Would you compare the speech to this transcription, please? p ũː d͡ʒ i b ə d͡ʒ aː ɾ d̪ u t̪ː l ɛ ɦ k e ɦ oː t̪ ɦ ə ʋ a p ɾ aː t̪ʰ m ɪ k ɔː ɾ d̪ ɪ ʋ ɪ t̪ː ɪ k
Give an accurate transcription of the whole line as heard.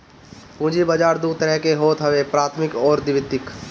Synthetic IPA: p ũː d͡ʒ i b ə d͡ʒ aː ɾ d̪ u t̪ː ɾ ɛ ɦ k e ɦ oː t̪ ɦ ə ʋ e p ɾ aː t̪ʰ m ɪ k ɔː ɾ d̪ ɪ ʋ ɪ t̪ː ɪ k

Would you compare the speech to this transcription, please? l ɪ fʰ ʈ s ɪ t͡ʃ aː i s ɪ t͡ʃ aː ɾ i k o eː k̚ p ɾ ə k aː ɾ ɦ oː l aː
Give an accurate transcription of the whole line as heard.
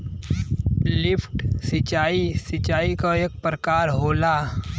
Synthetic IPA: l ɪ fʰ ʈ s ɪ t͡ʃ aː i s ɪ t͡ʃ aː i k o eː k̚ p ɾ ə k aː ɾ ɦ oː l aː

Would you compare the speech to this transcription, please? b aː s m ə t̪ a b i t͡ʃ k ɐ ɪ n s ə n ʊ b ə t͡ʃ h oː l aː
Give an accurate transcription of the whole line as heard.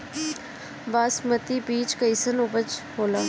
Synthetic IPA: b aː s m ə t̪ i b iː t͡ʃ k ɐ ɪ s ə n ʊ b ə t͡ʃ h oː l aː

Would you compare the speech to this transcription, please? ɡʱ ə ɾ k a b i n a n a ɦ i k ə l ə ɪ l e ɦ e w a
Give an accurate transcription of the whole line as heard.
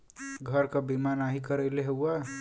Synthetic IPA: ɡʱ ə ɾ k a b i m a n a ɦ i k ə ɾ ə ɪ l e ɦ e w a

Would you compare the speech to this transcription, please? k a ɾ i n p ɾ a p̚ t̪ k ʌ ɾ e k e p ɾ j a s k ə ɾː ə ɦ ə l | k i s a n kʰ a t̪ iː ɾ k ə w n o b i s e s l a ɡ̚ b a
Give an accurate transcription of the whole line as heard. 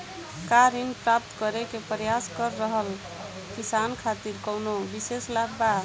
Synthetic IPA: k a ɾ i n p ɾ a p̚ t̪ k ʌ ɾ e k e p ɾ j a s k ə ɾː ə ɦ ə l | k i s a n kʰ a t̪ i ɾ k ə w n o b i s e s l a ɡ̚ b a

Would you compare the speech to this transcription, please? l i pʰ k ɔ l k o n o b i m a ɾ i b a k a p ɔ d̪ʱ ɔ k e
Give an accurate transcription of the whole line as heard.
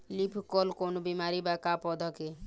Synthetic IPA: l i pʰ k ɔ l k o n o b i m a ɾ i b a k a p ɔ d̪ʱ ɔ k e

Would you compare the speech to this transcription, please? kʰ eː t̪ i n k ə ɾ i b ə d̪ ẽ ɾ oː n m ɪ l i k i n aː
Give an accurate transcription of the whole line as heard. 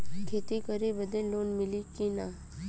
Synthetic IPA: kʰ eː t̪ i k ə ɾ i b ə d̪ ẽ l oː n m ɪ l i k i n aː

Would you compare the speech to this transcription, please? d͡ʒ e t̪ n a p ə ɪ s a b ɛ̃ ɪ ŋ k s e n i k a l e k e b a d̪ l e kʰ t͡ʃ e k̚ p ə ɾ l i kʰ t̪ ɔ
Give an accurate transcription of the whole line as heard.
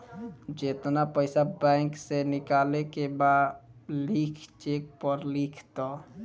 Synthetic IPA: d͡ʒ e t̪ n a p ə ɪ s a b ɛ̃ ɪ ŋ k s e n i k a l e k e b a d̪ l i kʰ t͡ʃ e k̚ p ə ɾ l i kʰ t̪ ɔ

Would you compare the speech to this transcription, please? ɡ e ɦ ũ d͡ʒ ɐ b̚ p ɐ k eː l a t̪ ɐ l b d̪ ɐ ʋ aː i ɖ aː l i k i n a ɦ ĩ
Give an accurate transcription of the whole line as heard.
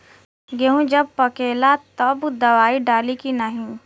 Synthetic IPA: ɡ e ɦ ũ d͡ʒ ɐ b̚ p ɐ k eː l a t̪ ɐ b d̪ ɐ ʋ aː i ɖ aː l i k i n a ɦ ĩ

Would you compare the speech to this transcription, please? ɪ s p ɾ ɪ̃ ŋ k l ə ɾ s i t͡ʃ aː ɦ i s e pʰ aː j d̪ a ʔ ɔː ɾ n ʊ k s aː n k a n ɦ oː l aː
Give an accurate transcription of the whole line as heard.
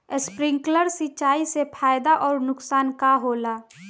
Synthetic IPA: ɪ s p ɾ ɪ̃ ŋ k l ə ɾ s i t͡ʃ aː i s e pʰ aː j d̪ a ʔ ɔː ɾ n ʊ k s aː n k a ɦ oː l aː

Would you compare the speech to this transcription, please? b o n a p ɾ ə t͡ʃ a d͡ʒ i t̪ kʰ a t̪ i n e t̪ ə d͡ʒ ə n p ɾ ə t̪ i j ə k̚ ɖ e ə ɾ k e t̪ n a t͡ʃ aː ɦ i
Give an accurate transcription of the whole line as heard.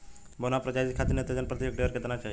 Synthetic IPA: b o n a p ɾ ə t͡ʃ a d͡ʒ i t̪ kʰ a t̪ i n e t̪ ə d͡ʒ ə n p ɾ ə t̪ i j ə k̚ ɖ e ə ɾ k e t̪ n a t͡ʃ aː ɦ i

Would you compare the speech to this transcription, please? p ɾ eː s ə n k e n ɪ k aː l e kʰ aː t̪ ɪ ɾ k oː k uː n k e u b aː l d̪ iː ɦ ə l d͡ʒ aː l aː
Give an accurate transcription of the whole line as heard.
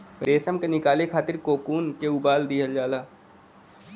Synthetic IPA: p ɾ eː s ə m k e n ɪ k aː l e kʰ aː t̪ ɪ ɾ k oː k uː n k e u b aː l d̪ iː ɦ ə l d͡ʒ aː l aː

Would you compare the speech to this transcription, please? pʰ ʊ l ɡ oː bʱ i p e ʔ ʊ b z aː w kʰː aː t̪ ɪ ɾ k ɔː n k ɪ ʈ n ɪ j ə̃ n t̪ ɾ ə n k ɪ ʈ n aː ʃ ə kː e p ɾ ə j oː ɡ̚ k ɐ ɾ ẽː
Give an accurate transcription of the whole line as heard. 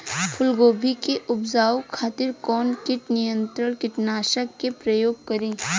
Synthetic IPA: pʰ ʊ l ɡ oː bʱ i k e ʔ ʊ b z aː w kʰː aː t̪ ɪ ɾ k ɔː n k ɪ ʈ n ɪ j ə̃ n t̪ ɾ ə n k ɪ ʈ n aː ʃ ə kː e p ɾ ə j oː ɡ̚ k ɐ ɾ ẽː

